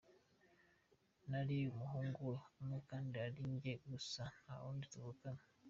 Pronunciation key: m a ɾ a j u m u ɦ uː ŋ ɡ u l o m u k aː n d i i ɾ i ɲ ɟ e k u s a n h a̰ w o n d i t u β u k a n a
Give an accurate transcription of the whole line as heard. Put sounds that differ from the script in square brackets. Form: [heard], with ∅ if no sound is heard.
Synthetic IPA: [n] a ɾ [i] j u m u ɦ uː ŋ ɡ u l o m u k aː n d i [a] ɾ i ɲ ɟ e [ɡ] u s a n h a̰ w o n d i t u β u k a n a